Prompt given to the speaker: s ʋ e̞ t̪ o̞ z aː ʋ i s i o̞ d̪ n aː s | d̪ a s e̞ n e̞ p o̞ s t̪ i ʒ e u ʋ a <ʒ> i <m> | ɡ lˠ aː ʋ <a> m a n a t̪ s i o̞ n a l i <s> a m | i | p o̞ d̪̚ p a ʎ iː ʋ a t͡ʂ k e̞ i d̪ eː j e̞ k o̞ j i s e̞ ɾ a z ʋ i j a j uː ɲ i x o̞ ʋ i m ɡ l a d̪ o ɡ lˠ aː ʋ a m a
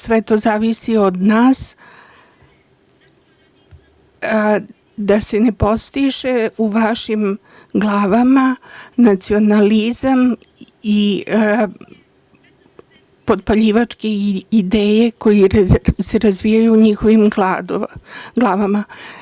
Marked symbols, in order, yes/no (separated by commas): no, yes, yes, no